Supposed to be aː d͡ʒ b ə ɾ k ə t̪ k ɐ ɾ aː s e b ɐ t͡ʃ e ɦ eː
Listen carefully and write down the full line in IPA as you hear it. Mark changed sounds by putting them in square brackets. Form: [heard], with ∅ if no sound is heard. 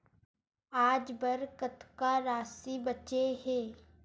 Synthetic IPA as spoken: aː d͡ʒ b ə ɾ k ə t̪ k [a] ɾ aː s [i] b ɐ t͡ʃ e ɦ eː

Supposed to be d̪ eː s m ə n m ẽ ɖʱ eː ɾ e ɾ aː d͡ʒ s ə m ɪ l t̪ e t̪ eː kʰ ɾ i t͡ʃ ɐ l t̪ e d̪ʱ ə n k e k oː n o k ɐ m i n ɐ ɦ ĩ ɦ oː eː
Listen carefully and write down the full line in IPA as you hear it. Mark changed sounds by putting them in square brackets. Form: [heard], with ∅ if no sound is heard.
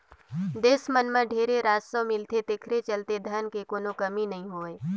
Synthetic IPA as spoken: d̪ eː s m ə n m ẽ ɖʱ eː ɾ e ɾ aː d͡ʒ s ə m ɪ l t̪ e t̪ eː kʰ ɾ [e] t͡ʃ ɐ l t̪ e d̪ʱ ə n k e k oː n o k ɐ m i n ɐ ɦ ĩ ɦ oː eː

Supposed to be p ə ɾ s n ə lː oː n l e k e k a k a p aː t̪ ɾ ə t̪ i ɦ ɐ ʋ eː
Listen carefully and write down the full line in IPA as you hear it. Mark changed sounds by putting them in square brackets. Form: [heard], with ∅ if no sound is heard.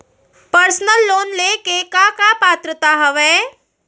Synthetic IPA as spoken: p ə ɾ s n ə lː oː n l e k e k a k a p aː t̪ ɾ ə t̪ [a] ɦ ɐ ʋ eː

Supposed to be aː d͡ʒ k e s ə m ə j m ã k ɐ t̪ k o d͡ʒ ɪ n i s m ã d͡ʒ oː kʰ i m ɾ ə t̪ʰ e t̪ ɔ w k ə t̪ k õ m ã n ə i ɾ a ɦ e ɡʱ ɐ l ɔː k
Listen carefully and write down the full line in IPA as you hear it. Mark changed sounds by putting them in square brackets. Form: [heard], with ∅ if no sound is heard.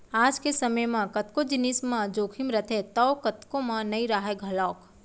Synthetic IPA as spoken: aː d͡ʒ k e s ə m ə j m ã k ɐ t̪ k o d͡ʒ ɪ n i s m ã d͡ʒ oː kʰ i m ɾ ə t̪ʰ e t̪ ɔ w k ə t̪ k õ m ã n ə i ɾ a ɦ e ɡʱ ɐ l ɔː k

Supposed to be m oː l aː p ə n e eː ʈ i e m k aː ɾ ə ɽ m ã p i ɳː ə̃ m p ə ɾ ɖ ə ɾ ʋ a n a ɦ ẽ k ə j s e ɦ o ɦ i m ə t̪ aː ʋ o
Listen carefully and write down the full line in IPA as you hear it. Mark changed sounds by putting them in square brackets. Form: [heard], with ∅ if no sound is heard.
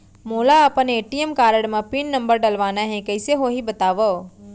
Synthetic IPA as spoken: m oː l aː p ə n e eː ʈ i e m k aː ɾ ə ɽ m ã p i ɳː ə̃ m [b] ə ɾ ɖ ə [l] ʋ a n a ɦ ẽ k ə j s e ɦ o ɦ i [b] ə t̪ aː ʋ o

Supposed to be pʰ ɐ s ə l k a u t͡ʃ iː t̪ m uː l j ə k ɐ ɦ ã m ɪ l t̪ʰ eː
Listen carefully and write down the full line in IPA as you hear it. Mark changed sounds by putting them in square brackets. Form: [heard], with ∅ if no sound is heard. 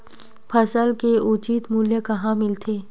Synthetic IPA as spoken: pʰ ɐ s ə l k [e] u t͡ʃ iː t̪ m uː l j ə k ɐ ɦ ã m ɪ l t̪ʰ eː

